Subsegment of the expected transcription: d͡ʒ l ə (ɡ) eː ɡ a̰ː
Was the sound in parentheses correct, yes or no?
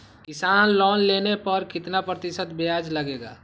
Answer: yes